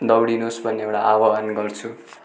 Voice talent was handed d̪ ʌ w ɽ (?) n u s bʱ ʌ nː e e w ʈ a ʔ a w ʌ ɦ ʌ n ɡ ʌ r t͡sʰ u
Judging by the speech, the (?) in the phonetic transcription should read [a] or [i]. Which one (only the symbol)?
i